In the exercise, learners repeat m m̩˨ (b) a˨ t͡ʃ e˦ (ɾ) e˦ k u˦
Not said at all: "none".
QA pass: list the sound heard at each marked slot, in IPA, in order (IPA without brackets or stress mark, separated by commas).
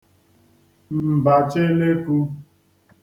b, l